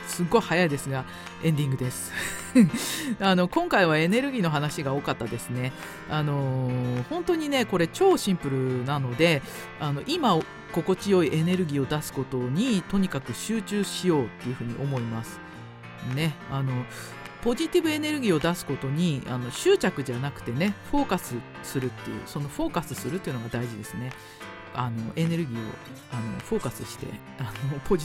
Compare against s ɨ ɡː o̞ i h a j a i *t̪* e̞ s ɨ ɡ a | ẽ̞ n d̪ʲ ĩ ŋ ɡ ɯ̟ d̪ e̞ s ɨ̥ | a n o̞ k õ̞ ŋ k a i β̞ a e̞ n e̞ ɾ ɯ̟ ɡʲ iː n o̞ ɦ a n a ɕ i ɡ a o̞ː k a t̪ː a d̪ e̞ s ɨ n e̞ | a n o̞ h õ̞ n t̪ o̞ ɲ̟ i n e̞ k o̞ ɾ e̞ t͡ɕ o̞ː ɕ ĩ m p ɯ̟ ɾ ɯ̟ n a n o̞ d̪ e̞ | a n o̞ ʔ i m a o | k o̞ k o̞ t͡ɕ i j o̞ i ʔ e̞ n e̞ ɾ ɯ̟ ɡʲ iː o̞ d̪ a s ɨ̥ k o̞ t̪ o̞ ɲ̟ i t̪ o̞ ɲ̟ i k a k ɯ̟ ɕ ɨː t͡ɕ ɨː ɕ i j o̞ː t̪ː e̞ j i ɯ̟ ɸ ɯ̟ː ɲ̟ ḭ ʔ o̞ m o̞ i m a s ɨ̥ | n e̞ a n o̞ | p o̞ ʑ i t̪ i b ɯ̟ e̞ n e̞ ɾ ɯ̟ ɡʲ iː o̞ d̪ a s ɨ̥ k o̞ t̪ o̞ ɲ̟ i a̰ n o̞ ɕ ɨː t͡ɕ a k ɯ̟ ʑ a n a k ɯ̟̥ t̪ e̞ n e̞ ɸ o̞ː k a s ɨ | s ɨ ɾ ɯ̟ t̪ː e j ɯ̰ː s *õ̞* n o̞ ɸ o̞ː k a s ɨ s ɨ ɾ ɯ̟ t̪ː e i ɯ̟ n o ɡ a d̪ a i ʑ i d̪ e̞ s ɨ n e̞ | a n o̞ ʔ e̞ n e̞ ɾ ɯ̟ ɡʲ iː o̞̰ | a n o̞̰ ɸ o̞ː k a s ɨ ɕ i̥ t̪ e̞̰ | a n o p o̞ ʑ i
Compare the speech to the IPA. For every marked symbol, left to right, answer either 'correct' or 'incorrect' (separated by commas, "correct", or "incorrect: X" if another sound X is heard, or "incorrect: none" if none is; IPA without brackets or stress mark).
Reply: incorrect: d̪, incorrect: o̞